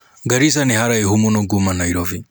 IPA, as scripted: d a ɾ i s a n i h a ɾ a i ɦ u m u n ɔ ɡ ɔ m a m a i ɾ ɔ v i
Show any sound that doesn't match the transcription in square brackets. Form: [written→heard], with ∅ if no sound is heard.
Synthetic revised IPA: [d→ɡ] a ɾ i s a n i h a ɾ a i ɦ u m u n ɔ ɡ [ɔ→u] m a [m→n] a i ɾ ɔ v i